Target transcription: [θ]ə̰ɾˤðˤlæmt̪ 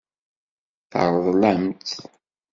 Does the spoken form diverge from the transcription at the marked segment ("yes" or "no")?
no